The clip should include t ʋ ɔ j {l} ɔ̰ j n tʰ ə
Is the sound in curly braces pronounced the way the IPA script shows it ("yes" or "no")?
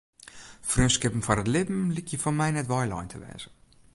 yes